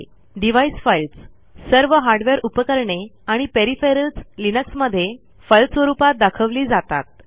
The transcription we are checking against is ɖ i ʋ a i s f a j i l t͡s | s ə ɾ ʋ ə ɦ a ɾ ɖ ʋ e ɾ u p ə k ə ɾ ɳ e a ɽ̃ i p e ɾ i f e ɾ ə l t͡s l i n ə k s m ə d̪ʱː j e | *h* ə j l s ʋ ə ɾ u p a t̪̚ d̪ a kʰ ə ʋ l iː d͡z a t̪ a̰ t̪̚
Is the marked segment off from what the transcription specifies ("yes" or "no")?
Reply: yes